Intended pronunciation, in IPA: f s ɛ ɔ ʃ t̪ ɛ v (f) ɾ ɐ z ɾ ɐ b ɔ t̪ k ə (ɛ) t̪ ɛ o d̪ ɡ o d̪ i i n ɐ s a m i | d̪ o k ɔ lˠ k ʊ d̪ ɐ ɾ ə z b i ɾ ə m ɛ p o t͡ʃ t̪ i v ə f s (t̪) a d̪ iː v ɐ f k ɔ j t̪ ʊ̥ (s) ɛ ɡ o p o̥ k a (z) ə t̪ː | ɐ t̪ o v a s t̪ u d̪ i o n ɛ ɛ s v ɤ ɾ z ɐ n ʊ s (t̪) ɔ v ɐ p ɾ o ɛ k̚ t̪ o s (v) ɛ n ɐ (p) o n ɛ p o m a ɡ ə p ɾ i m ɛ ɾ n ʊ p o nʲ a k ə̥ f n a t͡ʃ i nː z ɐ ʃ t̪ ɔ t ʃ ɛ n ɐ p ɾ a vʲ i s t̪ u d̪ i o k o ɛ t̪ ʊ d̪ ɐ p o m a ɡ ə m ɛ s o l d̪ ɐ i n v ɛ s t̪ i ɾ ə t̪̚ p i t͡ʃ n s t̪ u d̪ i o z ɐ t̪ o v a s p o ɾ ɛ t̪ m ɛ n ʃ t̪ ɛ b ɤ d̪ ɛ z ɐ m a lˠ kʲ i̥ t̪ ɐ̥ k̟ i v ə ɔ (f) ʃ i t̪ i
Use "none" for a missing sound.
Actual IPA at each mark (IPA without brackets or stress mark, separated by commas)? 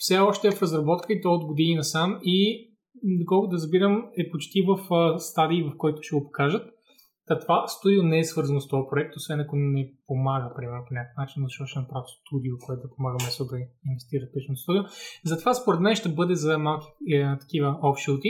f, i, t̪, ʃ, ʒ, t̪, v, k, f